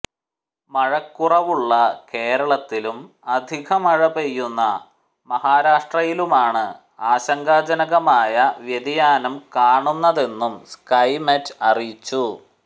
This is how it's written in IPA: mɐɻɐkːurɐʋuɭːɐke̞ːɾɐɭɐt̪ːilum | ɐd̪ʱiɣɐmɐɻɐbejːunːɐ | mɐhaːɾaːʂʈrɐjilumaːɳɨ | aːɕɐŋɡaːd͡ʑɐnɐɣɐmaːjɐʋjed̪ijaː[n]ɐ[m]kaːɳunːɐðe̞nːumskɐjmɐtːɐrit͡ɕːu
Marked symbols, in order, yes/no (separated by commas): yes, yes